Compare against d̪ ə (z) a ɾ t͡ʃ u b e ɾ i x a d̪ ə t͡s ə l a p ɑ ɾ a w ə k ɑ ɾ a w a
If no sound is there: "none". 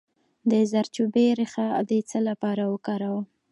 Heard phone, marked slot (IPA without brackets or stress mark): z